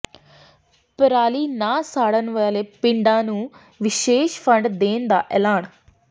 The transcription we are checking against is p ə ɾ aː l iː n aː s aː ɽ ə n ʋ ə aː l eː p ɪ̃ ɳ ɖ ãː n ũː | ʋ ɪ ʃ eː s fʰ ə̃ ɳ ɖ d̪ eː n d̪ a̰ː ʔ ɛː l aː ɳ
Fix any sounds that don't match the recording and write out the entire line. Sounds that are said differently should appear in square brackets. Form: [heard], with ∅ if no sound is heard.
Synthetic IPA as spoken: p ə ɾ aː l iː n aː s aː ɽ ə n ʋ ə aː l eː p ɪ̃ ɳ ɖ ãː n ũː | ʋ ɪ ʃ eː [ʃ] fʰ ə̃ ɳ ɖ d̪ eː n d̪ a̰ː ʔ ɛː l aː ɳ

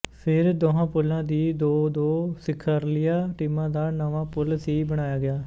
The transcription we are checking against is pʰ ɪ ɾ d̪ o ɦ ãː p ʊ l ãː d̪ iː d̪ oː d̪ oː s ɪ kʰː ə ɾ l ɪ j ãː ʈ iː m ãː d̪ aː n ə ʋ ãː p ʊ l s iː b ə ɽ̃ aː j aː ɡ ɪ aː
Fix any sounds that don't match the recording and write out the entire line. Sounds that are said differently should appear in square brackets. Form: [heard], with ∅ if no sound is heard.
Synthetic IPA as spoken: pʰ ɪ ɾ d̪ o ɦ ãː p ʊ l ãː d̪ iː d̪ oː d̪ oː s ɪ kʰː ə ɾ l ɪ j [aː] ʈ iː m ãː d̪ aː n ə ʋ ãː p ʊ l s iː b ə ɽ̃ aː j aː ɡ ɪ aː

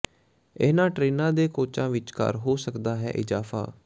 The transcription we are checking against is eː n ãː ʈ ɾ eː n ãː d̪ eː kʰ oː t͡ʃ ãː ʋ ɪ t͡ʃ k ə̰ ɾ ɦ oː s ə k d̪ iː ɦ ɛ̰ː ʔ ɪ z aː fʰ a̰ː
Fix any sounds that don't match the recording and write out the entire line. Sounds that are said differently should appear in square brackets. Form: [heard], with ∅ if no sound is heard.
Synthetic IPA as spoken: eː n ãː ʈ ɾ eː n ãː d̪ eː [k] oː t͡ʃ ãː ʋ ɪ t͡ʃ k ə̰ ɾ ɦ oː s ə k d̪ [aː] ɦ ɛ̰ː ʔ ɪ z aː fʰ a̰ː

